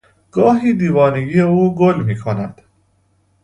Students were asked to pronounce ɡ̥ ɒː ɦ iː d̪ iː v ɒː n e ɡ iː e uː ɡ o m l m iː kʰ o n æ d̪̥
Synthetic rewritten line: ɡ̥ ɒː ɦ iː d̪ iː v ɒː n e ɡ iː e uː ɡ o l m iː kʰ o n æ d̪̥